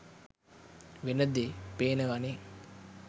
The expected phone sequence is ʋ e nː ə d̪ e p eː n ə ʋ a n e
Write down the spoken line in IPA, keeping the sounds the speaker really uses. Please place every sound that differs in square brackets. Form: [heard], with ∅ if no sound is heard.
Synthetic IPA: ʋ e [n] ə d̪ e p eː n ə ʋ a n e